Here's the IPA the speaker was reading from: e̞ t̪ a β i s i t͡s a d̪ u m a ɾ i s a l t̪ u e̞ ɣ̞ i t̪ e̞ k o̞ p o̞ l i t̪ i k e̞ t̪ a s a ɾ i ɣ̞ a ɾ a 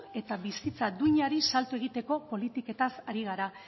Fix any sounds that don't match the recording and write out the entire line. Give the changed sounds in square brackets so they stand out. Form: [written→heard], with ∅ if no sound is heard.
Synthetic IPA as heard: e̞ t̪ a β i s i t͡s a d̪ u [m→ɲ] a ɾ i s a l t̪ u e̞ ɣ̞ i t̪ e̞ k o̞ p o̞ l i t̪ i k e̞ t̪ a s a ɾ i ɣ̞ a ɾ a